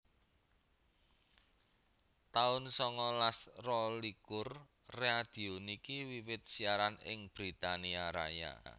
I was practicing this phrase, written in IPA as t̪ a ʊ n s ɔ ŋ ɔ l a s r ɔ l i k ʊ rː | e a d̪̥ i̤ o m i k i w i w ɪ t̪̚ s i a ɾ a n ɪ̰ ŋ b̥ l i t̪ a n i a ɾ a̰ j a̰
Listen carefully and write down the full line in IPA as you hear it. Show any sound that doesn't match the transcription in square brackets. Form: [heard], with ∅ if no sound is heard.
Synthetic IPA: t̪ a ʊ n s ɔ ŋ ɔ l a s r ɔ l i k ʊ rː | e a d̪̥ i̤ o [n] i k i w i w ɪ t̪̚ s i a ɾ a n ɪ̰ ŋ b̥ [ɾ] i t̪ a n i a ɾ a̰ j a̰